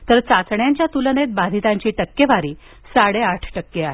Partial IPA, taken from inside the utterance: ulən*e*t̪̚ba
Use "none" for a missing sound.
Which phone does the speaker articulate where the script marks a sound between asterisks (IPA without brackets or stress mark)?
e